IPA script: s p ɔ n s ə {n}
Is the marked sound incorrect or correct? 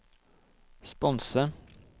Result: incorrect